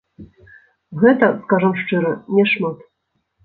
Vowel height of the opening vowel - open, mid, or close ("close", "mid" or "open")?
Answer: mid